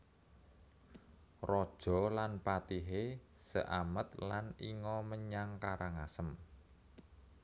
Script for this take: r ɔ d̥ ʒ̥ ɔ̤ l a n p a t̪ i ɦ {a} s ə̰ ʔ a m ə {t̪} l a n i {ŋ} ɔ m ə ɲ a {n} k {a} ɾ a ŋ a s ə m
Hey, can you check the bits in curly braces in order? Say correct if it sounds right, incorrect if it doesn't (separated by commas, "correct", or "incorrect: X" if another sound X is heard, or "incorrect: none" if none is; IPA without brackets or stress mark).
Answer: incorrect: e, correct, correct, incorrect: ŋ, correct